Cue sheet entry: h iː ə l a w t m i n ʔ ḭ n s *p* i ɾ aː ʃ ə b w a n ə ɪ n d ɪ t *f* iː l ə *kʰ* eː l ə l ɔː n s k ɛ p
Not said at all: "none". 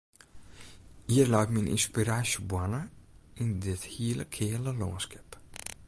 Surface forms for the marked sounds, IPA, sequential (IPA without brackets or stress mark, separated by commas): p, h, kʰ